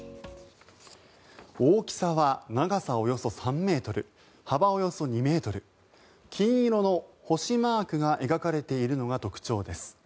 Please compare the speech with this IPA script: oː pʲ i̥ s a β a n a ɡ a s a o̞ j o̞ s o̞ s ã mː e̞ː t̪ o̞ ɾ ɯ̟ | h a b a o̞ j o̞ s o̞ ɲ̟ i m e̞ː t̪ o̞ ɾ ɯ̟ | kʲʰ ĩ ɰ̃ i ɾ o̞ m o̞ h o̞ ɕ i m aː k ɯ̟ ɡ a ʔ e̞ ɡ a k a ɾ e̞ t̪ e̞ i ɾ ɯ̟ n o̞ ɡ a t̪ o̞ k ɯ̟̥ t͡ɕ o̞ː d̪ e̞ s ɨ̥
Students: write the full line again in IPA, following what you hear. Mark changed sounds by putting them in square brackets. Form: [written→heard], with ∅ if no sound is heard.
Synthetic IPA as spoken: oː [pʲ→kʲ] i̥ s a β a n a ɡ a s a o̞ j o̞ s o̞ s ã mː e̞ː t̪ o̞ ɾ ɯ̟ | h a b a o̞ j o̞ s o̞ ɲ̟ i m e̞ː t̪ o̞ ɾ ɯ̟ | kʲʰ ĩ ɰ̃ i ɾ o̞ [m→n] o̞ h o̞ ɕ i m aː k ɯ̟ ɡ a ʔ e̞ ɡ a k a ɾ e̞ t̪ e̞ i ɾ ɯ̟ n o̞ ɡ a t̪ o̞ k ɯ̟̥ t͡ɕ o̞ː d̪ e̞ s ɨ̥